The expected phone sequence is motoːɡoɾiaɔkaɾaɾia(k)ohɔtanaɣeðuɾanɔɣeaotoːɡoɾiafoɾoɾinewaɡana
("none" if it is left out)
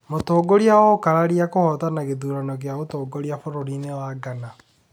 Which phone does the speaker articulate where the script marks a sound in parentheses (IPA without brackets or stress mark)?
k